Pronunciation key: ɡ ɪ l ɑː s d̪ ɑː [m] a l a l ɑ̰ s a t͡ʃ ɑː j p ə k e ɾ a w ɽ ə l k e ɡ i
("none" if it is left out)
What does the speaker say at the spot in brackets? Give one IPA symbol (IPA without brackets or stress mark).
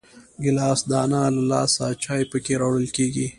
n